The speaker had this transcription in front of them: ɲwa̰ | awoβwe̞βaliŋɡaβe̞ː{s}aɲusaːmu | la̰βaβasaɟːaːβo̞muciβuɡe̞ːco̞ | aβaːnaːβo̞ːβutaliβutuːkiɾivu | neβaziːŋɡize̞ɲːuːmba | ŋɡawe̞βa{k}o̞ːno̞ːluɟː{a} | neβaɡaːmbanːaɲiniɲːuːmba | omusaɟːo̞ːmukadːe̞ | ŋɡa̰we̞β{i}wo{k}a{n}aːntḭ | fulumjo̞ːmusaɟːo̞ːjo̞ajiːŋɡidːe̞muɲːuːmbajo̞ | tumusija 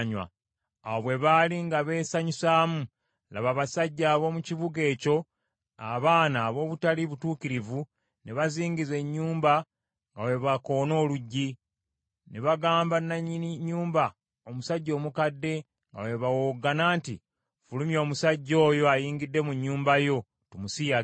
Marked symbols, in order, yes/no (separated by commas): yes, yes, no, no, no, yes